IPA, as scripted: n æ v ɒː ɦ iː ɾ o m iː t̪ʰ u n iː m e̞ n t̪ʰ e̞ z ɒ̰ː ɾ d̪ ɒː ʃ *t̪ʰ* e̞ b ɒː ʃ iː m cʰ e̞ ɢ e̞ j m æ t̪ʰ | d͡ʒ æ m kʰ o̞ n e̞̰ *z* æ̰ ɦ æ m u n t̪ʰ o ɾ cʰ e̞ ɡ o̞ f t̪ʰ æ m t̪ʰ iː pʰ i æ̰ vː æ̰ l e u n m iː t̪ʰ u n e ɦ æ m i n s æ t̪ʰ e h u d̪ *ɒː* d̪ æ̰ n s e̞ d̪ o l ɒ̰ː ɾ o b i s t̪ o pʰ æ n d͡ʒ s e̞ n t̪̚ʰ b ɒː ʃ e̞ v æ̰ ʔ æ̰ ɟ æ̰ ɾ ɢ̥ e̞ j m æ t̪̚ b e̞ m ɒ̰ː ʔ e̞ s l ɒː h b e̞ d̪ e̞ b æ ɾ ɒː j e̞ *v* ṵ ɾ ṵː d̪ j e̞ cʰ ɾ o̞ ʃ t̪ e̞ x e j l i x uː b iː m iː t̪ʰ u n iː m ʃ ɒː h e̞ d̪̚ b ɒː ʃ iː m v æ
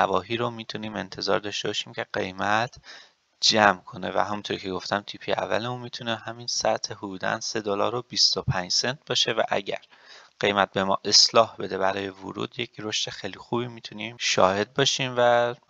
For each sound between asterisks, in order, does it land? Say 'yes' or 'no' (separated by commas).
no, no, no, yes